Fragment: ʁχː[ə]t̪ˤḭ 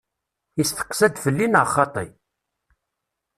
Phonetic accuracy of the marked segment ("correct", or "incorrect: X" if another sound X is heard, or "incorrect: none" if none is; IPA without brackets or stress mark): incorrect: ɑ